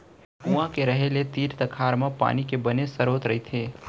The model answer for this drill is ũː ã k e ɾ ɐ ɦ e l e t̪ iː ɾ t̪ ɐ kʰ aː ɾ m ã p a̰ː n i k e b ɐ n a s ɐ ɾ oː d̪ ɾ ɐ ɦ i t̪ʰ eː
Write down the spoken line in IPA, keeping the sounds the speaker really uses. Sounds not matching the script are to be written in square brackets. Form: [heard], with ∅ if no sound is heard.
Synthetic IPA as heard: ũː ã k e ɾ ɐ ɦ e l e t̪ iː ɾ t̪ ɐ kʰ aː ɾ m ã p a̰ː n i k e b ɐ n [e] s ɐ ɾ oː [t̪] ɾ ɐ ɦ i t̪ʰ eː